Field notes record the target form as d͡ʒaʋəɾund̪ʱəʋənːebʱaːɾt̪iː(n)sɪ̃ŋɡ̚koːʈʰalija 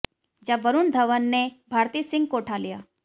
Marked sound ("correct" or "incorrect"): incorrect